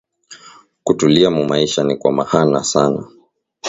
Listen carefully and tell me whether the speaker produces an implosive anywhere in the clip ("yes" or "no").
no